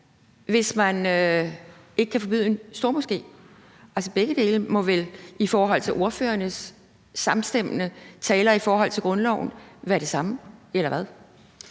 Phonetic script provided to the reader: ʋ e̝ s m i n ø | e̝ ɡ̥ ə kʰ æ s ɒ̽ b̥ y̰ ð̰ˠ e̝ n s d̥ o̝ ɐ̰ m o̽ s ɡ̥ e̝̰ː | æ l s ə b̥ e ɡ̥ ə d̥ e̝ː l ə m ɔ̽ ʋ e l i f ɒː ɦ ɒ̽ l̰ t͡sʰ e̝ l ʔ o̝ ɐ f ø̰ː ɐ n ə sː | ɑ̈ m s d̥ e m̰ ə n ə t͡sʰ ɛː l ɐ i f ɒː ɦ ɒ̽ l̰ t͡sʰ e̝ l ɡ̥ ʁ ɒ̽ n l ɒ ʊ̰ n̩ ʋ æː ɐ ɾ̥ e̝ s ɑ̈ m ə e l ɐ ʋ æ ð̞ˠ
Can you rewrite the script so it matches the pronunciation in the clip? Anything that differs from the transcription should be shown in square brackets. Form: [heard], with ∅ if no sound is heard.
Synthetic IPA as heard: ʋ e̝ s m [æ] n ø | e̝ ɡ̥ ə kʰ æ [f] ɒ̽ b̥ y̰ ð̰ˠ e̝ n s d̥ o̝ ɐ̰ m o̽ s ɡ̥ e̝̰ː | æ l s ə b̥ e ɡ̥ ə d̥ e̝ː l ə m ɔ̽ ʋ e l i f ɒː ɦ ɒ̽ l̰ t͡sʰ e̝ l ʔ o̝ ɐ f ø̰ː ɐ n ə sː | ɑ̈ m s d̥ e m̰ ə n ə t͡sʰ ɛː l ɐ i f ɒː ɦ ɒ̽ l̰ t͡sʰ e̝ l ɡ̥ ʁ [ɔ̽] n l ɒ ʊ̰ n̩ ʋ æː ɐ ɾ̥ e̝ s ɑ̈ m ə e l ɐ ʋ æ ð̞ˠ